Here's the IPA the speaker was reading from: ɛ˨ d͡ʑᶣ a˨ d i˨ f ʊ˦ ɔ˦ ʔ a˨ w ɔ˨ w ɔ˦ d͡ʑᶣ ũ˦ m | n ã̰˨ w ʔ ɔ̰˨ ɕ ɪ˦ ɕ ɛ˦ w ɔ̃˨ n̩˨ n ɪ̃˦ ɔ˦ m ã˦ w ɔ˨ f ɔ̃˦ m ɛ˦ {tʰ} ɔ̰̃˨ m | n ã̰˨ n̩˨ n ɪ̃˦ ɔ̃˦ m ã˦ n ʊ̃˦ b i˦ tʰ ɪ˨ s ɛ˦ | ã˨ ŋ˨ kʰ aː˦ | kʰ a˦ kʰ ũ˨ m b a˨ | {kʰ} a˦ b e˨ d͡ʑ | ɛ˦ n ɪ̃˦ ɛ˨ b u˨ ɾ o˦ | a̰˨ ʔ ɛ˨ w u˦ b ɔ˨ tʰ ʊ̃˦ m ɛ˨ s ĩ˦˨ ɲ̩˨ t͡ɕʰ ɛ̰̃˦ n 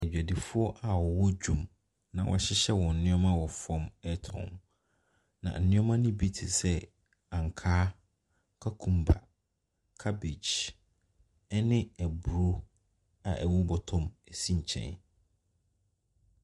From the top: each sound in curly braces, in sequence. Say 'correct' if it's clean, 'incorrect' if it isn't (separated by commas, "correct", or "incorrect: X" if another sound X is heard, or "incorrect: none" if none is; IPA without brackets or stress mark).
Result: correct, correct